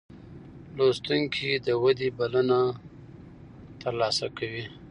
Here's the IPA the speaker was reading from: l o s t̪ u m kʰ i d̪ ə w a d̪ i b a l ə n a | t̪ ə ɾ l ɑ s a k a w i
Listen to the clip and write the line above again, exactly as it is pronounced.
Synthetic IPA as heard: l o s t̪ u ŋ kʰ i d̪ ə w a d̪ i b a l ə n a | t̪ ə ɾ l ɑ s a k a w i

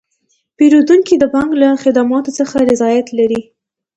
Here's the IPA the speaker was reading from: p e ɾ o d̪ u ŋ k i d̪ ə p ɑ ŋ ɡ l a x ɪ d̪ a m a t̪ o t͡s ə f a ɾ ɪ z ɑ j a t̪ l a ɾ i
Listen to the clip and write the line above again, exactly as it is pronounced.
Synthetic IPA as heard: p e ɾ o d̪ u ŋ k i d̪ ə b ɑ ŋ ɡ l a x ɪ d̪ a m ɑ t̪ o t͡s ə x a ɾ ɪ z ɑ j a t̪ l a ɾ i

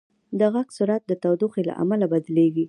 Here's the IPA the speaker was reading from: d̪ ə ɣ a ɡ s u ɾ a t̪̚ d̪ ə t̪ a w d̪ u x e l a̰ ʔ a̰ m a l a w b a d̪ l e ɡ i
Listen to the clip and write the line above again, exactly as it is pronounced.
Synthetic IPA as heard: d̪ ə ɣ a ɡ s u ɾ a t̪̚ d̪ ə t̪ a w d̪ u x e l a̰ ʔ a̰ m a l a b a d̪ l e ɡ i

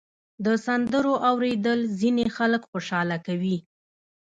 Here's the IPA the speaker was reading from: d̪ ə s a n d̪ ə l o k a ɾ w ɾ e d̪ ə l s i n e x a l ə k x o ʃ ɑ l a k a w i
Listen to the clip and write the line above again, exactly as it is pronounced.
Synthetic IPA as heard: d̪ ə s a n d̪ ə ɾ o ʔ a w ɾ e d̪ ə l z i n e x a l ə k x o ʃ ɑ l a k a w i

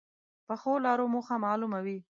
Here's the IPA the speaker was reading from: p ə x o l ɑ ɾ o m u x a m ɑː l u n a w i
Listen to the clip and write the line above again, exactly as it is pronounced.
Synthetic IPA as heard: p ə x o l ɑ ɾ o m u x a m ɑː l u m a w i

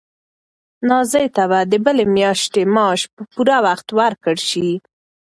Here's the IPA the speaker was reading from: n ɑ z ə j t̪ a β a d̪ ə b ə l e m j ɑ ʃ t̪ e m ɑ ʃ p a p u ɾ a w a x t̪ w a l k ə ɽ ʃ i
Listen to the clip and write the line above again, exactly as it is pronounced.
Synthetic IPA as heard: n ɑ z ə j t̪ a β a d̪ ə b ə l e m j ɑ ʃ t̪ e m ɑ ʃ p ə p u ɾ a w a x t̪ w a ɾ k ə ɽ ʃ i

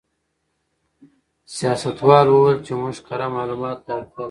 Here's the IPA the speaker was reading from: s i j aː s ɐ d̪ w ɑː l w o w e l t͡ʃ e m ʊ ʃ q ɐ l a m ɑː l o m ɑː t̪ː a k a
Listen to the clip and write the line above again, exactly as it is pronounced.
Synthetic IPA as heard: s i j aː s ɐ t̪ w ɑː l w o w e l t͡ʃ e m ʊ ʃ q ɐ ɾ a m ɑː l u m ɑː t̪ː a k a

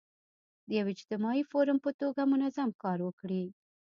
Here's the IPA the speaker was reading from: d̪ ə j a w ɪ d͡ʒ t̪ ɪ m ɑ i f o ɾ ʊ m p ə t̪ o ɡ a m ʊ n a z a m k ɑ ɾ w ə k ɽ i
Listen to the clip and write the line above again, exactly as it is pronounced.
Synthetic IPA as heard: d̪ ə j a w ɪ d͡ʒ t̪ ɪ m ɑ i f o ɾ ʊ m p ə t̪ o ɡ a m ʊ n a z a m k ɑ ɾ w ə k ɽ i

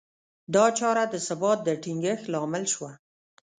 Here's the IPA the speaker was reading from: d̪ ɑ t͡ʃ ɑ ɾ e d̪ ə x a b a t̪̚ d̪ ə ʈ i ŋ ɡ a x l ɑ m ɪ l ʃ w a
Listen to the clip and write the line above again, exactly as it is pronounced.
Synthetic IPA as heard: d̪ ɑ t͡ʃ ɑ ɾ a d̪ ə s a b ɑ t̪̚ d̪ ə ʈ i ŋ ɡ ə x l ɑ m ɪ l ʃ w a

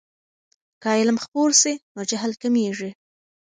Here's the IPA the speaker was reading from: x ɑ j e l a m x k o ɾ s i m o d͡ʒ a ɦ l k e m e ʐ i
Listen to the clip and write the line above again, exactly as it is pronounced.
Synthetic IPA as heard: k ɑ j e l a m x p o ɾ s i n o d͡ʒ a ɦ l k a m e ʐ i

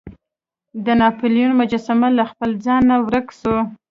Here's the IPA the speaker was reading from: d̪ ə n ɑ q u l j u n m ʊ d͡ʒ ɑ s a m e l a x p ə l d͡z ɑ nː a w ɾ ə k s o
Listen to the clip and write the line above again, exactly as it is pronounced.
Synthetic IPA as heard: d̪ ə n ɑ p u l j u n m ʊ d͡ʒ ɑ s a m a l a x p ə l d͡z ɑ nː a w ɾ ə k s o

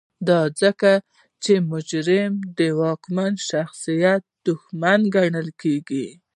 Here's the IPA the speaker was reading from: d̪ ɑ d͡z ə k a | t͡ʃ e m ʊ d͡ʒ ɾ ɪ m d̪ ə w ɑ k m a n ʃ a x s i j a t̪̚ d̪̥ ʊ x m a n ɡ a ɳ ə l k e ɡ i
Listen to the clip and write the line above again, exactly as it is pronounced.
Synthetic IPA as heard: d̪ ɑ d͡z ə k a | t͡ʃ e m ʊ d͡ʒ ɾ ɪ m d̪ ə w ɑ k m a n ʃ a x s i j a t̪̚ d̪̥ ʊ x m a n ɡ a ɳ ə l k e ɡ i

